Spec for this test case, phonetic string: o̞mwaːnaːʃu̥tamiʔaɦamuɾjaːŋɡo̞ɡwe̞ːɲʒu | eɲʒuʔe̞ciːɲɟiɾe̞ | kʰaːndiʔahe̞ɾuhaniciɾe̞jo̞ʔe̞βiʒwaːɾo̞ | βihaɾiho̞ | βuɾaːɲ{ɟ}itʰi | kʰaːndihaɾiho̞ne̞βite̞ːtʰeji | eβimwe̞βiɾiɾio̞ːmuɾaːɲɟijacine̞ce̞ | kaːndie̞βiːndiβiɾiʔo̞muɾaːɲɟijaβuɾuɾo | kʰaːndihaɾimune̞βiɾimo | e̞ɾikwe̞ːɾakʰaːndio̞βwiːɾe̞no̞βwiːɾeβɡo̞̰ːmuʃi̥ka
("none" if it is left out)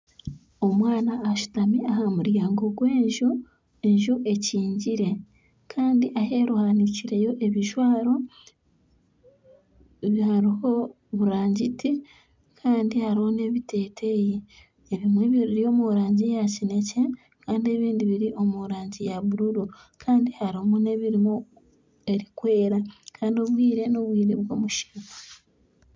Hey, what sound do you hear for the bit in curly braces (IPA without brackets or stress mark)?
ɟ